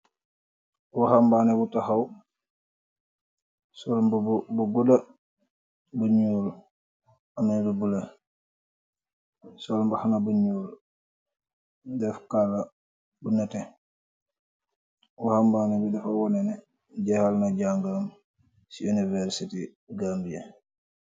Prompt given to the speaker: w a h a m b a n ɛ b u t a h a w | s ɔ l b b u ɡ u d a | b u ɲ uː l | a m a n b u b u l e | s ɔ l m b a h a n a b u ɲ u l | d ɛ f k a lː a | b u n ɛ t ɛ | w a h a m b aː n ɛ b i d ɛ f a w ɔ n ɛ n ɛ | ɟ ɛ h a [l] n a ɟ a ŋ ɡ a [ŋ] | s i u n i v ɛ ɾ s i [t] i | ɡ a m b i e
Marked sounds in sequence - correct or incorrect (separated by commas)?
correct, incorrect, correct